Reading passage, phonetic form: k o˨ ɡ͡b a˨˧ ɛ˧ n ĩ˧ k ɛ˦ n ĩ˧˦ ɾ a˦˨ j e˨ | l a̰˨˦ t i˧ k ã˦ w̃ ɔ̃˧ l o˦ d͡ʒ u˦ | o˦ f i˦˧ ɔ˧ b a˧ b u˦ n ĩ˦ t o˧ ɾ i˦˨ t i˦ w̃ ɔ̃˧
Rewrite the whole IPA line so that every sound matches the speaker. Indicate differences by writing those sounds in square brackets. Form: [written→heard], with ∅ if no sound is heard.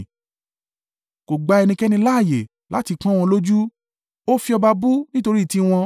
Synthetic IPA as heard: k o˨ ɡ͡b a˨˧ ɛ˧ n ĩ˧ k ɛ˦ n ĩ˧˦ [ɾ→l] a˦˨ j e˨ | l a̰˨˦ t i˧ k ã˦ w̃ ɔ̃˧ l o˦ d͡ʒ u˦ | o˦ f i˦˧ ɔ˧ b a˧ b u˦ n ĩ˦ t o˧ ɾ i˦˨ t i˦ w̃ ɔ̃˧